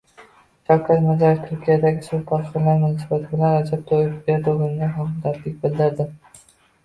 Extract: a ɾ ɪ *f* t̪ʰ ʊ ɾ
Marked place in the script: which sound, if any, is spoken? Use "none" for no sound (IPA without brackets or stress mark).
f